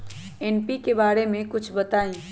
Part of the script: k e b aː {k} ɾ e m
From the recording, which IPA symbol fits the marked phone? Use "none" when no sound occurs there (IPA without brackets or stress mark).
none